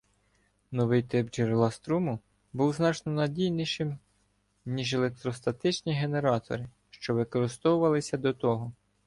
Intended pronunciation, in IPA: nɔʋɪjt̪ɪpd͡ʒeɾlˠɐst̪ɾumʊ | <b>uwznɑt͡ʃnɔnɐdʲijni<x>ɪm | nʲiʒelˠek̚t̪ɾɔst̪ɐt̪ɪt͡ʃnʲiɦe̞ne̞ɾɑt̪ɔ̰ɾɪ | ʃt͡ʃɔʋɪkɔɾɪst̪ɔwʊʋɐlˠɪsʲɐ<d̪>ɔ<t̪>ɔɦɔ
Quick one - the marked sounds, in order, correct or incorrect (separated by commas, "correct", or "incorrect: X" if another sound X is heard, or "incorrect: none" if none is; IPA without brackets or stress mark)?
correct, incorrect: ʃ, correct, correct